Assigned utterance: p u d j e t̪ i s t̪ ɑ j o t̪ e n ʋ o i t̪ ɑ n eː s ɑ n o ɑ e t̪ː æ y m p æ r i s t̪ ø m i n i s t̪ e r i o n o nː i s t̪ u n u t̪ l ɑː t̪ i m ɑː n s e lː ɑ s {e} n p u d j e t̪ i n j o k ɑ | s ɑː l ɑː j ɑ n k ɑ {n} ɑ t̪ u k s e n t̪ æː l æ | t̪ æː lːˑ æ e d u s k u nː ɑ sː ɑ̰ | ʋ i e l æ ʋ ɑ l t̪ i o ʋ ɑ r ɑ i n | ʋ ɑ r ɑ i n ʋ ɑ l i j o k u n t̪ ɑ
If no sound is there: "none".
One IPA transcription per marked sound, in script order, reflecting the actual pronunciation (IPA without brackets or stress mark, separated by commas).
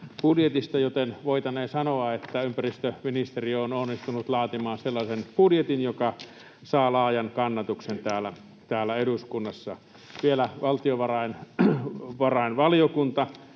e, nː